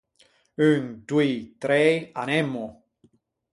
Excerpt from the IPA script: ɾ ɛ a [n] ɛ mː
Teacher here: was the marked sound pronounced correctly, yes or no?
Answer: yes